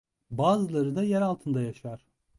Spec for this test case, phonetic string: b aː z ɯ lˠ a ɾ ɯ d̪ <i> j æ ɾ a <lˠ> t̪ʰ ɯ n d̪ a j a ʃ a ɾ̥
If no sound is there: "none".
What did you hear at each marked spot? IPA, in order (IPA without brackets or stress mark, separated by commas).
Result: a, lˠ